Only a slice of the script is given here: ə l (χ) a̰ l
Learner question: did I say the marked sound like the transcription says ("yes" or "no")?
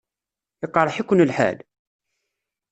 no